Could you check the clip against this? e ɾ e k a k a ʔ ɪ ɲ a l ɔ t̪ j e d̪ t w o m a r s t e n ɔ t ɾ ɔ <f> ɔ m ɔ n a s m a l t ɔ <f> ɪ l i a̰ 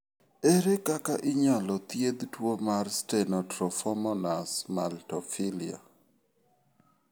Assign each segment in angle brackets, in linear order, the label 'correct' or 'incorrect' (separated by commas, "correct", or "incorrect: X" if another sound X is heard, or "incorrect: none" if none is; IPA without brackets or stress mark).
correct, correct